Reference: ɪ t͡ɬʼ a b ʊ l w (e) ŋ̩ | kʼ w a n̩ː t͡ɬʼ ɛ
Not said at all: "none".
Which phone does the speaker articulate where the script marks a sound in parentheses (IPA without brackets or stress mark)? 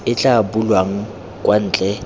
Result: a